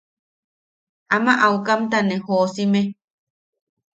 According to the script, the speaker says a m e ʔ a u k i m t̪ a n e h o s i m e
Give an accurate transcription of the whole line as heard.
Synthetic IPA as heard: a m a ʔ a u k a m t̪ a n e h o s i m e